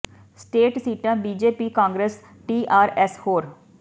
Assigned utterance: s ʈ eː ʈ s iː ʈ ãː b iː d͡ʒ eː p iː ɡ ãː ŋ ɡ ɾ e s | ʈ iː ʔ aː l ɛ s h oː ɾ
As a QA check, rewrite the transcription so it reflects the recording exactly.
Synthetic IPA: s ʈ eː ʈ s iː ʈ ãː b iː d͡ʒ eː p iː k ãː ŋ ɡ ɾ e s | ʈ iː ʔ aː ɾ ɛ s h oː ɾ